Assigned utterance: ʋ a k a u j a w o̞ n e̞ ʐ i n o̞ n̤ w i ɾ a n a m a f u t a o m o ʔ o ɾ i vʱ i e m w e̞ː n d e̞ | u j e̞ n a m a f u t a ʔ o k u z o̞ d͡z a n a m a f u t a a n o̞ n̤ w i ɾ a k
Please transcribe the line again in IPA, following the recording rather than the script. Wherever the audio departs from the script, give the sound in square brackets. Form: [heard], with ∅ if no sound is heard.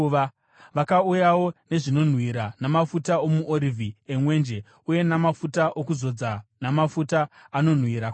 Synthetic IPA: ʋ a k a u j a w o̞ n e̞ ʐ i n o̞ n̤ w i ɾ a n a m a f u t a o m [u] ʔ o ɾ i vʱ i e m w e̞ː n [d͡ʒ] e̞ | u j e̞ n a m a f u t a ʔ o k u z o̞ d͡z a n a m a f u t a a n o̞ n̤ w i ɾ a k